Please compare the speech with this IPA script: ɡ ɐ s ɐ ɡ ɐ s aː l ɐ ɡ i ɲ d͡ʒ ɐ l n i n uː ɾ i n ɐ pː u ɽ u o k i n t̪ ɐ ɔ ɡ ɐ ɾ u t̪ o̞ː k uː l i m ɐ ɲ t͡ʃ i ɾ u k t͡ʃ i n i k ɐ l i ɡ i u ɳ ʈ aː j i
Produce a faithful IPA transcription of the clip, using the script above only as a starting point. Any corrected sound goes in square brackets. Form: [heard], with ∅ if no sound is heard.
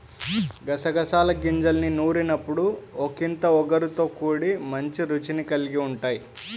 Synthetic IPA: ɡ ɐ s ɐ ɡ ɐ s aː l ɐ ɡ i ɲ d͡ʒ ɐ l n i n uː ɾ i n ɐ pː u ɽ u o k i n t̪ ɐ ɔ ɡ ɐ ɾ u t̪ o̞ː k uː [ɽ] i m ɐ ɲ t͡ʃ i ɾ u [∅] t͡ʃ i n i k ɐ l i ɡ i u ɳ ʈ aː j i

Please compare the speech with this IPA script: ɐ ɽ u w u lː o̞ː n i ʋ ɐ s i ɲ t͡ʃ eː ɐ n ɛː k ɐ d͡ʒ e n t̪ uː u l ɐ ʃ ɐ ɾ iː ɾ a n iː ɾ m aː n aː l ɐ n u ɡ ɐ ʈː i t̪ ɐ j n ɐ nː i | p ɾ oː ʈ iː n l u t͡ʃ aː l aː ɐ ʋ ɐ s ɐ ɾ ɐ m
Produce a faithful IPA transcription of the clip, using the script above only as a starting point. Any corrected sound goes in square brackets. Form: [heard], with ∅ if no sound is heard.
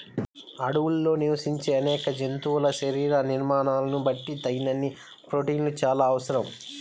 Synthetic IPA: ɐ ɽ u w u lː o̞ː n i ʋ ɐ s i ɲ t͡ʃ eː ɐ n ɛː k ɐ d͡ʒ e n t̪ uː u l ɐ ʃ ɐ ɾ iː ɾ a n [i] ɾ m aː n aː l ɐ n u [b] ɐ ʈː i t̪ ɐ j n ɐ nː i | p ɾ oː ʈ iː n l u t͡ʃ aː l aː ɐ ʋ ɐ s ɐ ɾ ɐ m

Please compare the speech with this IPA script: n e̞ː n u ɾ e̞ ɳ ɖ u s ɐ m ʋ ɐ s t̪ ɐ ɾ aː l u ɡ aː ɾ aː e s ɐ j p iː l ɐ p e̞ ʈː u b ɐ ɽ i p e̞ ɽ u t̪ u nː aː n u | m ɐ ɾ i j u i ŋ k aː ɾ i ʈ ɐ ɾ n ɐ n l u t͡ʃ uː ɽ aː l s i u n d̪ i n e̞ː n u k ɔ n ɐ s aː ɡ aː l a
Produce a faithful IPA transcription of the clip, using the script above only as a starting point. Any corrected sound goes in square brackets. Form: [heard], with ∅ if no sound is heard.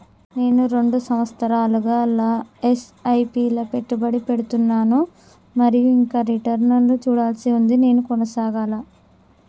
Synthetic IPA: n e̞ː n u ɾ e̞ ɳ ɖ u s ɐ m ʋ ɐ s t̪ ɐ ɾ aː l u ɡ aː [l] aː e s ɐ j p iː l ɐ p e̞ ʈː u b ɐ ɽ i p e̞ ɽ u t̪ u nː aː n u | m ɐ ɾ i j u i ŋ k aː ɾ i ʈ ɐ ɾ n ɐ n l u t͡ʃ uː ɽ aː l s i u n d̪ i n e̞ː n u k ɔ n ɐ s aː ɡ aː l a

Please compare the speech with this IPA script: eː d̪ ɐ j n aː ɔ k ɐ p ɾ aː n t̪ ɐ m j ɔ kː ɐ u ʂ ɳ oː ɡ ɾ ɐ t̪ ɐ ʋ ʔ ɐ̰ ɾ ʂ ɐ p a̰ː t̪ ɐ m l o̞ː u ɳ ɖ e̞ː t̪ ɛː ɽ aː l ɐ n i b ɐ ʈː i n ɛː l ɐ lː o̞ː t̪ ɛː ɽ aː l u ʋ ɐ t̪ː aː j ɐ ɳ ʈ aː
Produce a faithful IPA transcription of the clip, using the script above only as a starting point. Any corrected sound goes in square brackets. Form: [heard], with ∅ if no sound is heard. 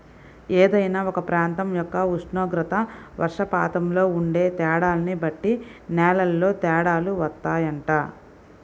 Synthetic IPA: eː d̪ ɐ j n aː ɔ k ɐ p ɾ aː n t̪ ɐ m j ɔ kː ɐ u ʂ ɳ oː ɡ ɾ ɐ t̪ ɐ ʋ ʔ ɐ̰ ɾ ʂ ɐ p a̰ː t̪ ɐ m l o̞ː u ɳ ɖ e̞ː t̪ ɛː ɽ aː l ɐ n i b ɐ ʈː i n ɛː l ɐ lː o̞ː t̪ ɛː ɽ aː l u ʋ ɐ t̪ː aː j ɐ ɳ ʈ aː

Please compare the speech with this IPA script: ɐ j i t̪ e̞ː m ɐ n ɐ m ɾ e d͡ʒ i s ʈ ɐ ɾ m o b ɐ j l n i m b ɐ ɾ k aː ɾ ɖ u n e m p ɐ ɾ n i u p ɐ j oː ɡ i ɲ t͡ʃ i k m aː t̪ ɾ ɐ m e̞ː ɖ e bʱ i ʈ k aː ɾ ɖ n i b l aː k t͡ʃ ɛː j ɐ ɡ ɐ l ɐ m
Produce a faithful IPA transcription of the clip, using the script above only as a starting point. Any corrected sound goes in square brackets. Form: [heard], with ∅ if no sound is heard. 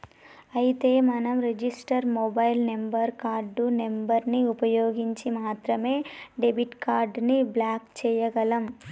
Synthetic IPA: ɐ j i t̪ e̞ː m ɐ n ɐ m ɾ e d͡ʒ i s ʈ ɐ ɾ m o b ɐ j l n [e] m b ɐ ɾ k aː ɾ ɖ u n e m [b] ɐ ɾ n i u p ɐ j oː ɡ i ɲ t͡ʃ i [∅] m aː t̪ ɾ ɐ m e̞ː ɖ e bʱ i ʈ k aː ɾ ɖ n i b l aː k t͡ʃ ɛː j ɐ ɡ ɐ l ɐ m

